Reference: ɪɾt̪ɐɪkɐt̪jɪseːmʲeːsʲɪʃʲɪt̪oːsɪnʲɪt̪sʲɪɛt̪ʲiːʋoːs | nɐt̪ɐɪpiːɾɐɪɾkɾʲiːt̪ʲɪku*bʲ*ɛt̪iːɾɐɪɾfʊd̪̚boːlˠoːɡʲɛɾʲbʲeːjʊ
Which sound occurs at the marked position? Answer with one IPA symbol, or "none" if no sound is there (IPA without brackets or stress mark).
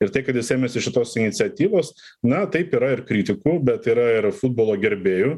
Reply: bʲ